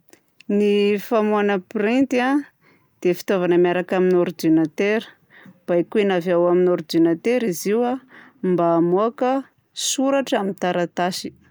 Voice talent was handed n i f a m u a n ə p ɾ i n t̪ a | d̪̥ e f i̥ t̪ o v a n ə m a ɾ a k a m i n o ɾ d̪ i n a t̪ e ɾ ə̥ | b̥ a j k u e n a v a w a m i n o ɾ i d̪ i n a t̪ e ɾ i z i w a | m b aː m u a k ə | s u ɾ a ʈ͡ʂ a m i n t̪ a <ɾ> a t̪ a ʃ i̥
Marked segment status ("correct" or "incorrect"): correct